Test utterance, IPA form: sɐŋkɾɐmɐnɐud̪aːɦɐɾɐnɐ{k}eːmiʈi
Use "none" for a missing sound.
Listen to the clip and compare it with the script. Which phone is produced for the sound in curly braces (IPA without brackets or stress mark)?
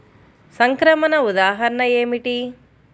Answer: none